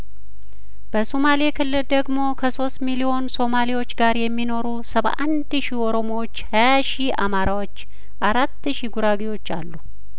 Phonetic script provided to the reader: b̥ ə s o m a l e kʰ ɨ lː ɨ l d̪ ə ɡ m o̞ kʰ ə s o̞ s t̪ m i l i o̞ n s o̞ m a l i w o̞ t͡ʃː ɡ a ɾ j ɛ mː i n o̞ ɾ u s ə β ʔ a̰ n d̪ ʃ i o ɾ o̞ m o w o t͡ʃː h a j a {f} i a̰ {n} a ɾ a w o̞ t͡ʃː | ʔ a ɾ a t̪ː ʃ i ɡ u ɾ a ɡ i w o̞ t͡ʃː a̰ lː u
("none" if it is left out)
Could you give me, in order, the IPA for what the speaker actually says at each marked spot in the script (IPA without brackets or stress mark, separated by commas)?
ʃ, m